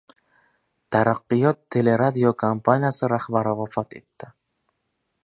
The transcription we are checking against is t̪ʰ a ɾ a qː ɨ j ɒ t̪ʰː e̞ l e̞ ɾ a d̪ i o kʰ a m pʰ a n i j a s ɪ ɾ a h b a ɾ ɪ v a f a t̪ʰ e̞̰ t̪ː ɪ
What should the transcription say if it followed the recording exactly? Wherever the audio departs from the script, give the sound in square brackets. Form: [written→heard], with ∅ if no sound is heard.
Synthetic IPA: t̪ʰ a ɾ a qː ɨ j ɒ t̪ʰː e̞ l e̞ ɾ a d̪ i o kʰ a m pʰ a n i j a s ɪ ɾ a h b a ɾ ɪ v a f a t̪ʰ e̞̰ t̪ː ɪ